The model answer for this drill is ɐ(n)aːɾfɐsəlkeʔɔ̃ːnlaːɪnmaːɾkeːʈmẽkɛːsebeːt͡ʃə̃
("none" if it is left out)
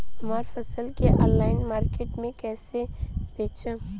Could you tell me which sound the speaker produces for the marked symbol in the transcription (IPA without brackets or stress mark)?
m